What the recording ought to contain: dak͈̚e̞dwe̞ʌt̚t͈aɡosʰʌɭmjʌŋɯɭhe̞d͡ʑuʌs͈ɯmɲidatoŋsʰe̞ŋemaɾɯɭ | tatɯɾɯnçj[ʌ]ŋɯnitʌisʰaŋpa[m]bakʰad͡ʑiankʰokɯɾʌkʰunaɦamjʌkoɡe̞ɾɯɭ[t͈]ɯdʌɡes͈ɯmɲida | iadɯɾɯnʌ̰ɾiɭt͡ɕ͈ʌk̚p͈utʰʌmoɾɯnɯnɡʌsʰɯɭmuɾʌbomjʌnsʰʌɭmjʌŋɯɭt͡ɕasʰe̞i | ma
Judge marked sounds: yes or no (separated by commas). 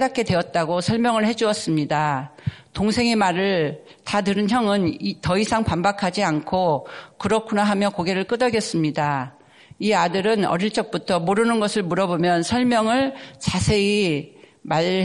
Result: yes, yes, no